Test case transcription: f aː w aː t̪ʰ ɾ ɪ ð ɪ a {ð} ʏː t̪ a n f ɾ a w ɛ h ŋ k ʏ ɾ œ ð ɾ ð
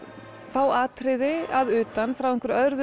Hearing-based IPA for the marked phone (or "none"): ð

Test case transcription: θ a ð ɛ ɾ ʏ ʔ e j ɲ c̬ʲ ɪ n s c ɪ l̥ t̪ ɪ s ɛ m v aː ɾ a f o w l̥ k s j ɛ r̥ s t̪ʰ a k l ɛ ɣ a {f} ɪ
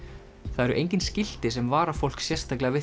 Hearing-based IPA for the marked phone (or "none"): v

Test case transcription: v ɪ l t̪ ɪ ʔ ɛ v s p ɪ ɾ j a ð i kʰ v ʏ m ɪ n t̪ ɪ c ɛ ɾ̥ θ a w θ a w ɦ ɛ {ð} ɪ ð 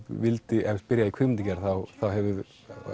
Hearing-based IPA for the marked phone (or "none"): v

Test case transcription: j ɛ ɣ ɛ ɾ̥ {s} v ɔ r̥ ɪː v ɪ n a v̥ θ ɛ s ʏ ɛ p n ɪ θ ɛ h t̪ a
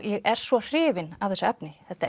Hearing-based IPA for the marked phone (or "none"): s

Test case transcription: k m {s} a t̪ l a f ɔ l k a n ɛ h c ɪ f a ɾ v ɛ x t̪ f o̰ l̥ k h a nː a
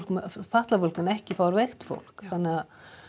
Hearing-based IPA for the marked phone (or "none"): f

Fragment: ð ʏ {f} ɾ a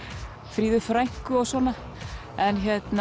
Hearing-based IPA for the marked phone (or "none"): f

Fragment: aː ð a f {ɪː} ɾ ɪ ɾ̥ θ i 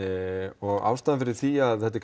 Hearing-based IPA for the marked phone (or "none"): ɪ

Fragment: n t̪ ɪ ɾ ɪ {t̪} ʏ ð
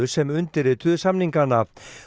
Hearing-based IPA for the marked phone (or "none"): t̪ʰ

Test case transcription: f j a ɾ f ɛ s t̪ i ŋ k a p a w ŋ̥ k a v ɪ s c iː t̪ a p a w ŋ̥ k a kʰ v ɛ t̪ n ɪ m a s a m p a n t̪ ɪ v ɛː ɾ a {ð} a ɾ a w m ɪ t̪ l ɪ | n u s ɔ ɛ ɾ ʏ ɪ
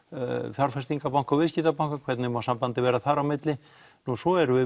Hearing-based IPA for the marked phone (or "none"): θ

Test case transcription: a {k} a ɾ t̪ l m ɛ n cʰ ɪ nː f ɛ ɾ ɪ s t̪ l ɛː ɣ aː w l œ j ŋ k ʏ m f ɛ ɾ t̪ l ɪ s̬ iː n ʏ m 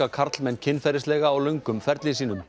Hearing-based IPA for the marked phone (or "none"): kʰ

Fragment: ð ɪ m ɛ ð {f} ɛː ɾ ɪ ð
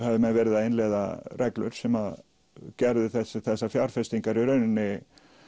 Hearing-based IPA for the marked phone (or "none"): v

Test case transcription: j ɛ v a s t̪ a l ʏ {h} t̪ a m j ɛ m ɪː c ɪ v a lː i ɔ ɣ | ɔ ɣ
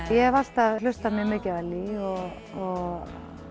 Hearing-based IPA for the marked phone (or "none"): s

